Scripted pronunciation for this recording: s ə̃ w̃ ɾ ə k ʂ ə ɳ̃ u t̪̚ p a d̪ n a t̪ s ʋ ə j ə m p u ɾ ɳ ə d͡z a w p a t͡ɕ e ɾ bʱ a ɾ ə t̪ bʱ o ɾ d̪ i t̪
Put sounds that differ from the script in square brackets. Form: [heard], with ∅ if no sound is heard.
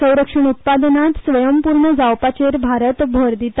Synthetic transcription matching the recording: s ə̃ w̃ ɾ ə k ʂ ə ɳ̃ u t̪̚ p a d̪ n a t̪ s ʋ ə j ə m p u ɾ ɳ ə d͡z a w p a t͡ɕ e ɾ bʱ a ɾ ə t̪ bʱ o ɾ d̪ i t̪